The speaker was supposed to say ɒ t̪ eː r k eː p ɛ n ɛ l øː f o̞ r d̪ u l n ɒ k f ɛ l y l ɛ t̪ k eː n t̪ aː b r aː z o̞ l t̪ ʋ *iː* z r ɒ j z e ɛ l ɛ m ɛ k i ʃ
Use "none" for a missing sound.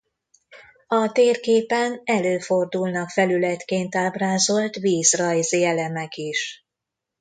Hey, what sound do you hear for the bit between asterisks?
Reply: iː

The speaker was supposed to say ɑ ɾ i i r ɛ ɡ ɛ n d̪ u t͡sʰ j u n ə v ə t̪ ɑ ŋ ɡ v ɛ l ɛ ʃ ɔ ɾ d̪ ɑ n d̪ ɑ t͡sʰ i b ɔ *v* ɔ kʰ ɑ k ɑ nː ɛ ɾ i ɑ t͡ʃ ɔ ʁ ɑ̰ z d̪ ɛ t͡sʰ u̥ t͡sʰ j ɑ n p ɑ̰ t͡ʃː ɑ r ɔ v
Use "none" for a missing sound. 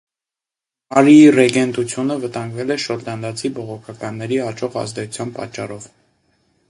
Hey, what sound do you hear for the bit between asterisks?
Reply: ʁ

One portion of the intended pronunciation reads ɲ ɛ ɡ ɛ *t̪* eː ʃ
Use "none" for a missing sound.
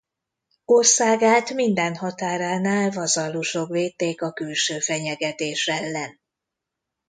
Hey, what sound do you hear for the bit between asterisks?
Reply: t̪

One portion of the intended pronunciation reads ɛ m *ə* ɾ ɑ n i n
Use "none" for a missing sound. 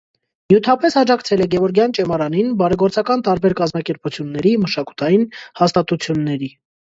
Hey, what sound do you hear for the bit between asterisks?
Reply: ɑ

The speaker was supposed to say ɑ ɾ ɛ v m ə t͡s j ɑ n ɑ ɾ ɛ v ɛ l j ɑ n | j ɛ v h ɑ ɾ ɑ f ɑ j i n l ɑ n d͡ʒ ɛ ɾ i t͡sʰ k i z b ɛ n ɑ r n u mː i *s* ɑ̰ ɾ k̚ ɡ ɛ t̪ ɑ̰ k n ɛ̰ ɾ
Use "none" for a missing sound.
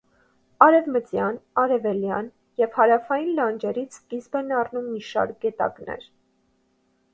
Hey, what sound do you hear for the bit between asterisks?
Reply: ʃ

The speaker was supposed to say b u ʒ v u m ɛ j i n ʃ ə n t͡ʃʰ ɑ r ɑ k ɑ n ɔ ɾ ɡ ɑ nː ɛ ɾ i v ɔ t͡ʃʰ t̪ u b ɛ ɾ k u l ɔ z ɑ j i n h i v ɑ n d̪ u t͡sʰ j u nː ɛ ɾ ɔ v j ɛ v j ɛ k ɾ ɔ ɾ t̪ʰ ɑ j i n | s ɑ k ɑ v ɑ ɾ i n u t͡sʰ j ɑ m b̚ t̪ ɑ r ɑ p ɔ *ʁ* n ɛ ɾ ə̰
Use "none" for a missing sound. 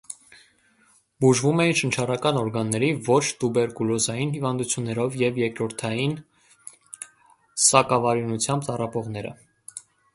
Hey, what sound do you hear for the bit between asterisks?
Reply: ʁ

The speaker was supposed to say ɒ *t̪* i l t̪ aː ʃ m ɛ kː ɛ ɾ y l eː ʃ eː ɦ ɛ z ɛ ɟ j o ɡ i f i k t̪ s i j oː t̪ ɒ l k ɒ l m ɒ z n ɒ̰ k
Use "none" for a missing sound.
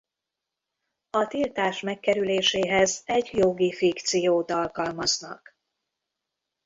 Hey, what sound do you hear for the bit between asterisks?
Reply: t̪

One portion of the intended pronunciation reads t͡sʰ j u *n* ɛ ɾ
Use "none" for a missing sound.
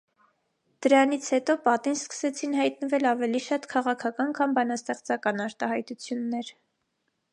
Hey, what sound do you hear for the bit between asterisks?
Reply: nː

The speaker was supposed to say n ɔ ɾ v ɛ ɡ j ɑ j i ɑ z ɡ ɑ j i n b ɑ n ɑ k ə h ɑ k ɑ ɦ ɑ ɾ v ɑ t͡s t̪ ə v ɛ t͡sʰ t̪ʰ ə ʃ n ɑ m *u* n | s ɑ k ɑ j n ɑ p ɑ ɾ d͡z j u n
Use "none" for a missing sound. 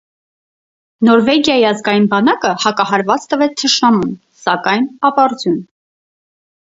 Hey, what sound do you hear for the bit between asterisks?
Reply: u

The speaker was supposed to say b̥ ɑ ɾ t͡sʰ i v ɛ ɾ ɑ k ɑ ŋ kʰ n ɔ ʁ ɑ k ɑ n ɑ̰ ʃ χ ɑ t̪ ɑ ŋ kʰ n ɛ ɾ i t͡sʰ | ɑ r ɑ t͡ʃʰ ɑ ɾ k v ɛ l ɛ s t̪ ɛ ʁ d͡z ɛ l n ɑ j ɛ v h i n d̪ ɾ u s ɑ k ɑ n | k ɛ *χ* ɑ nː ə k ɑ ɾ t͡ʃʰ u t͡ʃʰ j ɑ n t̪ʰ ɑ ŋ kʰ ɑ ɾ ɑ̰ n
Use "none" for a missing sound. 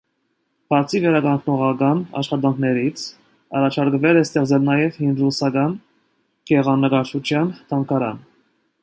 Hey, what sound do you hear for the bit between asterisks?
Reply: ʁ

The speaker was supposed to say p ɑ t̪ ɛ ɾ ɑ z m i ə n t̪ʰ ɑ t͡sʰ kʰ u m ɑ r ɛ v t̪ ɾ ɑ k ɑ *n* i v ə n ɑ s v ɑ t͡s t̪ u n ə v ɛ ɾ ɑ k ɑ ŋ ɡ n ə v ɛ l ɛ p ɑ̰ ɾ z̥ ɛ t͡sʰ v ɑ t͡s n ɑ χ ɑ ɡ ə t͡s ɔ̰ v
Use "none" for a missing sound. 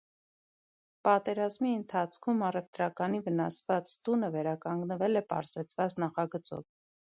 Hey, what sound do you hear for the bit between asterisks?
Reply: n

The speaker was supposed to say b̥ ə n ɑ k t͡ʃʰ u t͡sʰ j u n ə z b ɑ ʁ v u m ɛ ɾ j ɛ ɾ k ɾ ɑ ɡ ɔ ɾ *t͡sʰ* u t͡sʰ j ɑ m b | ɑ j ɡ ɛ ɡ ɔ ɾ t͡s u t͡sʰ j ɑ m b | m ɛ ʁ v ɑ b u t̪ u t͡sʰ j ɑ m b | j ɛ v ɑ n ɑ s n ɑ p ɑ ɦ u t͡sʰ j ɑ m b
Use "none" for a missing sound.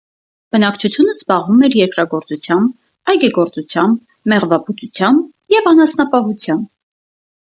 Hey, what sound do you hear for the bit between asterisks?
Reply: t͡s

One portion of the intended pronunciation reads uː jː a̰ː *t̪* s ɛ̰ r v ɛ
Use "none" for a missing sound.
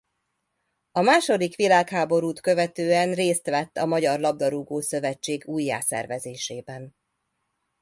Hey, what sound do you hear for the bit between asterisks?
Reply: none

